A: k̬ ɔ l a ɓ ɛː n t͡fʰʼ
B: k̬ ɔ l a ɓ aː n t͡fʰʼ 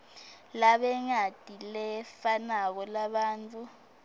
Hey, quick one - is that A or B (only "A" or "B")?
B